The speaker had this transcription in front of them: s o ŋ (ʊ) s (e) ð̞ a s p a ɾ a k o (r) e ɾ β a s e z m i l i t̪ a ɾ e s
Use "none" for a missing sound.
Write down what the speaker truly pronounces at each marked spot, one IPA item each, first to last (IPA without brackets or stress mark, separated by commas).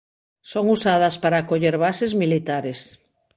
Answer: u, a, ʎ